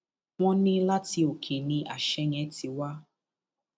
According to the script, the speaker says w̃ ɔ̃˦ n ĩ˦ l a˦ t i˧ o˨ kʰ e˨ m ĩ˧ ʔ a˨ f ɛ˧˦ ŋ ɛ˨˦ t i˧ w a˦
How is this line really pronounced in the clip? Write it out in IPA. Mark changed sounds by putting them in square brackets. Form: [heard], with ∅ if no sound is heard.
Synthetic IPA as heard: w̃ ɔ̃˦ n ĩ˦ l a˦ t i˧ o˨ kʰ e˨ [n] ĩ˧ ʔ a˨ [ʃ] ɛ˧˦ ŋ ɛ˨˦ t i˧ w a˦